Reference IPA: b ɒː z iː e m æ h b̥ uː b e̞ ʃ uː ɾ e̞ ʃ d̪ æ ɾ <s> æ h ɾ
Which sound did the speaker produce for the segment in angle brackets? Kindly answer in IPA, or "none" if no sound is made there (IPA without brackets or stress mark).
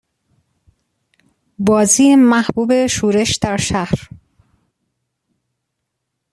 ʃ